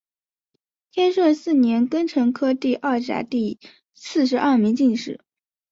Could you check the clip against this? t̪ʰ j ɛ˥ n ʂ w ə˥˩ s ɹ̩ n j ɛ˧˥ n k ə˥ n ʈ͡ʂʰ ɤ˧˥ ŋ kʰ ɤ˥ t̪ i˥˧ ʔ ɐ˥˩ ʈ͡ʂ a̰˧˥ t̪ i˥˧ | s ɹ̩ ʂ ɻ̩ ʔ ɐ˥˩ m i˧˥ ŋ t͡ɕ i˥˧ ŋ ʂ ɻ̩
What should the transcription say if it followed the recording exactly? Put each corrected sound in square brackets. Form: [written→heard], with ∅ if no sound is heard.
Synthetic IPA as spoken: t̪ʰ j ɛ˥ n ʂ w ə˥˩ s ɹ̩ n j ɛ˧˥ n k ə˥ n ʈ͡ʂʰ ɤ˧˥ ŋ kʰ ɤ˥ t̪ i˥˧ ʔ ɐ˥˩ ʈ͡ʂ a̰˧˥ t̪ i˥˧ | s ɹ̩ ʂ ɻ̩ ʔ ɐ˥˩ m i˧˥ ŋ t͡ɕ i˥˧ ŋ ʂ ɻ̩